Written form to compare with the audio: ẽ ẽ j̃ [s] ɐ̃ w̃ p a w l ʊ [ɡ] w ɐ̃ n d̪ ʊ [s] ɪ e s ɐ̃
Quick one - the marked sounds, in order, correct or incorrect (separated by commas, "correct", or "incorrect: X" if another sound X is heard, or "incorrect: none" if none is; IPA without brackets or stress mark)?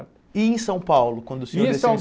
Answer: correct, incorrect: k, correct